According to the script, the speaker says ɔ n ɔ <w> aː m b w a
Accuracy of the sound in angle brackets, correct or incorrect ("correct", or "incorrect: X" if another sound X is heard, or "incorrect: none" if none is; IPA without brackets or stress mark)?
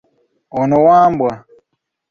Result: correct